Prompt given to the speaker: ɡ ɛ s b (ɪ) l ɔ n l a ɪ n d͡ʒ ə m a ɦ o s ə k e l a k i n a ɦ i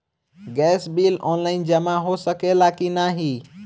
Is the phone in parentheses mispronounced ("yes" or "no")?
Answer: yes